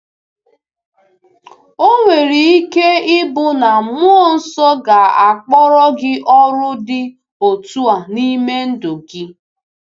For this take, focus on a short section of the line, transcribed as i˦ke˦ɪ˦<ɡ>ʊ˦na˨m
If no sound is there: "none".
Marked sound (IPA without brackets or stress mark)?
b